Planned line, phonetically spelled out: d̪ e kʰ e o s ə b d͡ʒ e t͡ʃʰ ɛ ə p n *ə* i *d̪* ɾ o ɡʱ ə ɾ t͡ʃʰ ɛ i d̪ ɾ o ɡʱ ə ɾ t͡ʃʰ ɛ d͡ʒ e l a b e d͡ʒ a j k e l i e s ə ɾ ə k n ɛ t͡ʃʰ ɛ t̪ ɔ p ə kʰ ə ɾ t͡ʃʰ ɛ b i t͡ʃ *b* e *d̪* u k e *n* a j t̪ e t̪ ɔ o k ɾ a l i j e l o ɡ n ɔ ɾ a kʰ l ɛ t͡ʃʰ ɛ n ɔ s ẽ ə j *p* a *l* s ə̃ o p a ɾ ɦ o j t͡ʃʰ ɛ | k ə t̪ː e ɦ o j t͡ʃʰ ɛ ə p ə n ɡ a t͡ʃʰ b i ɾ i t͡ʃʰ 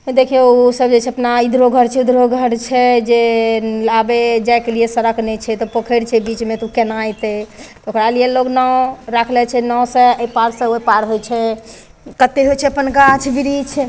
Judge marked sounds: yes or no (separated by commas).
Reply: no, yes, no, no, yes, yes, no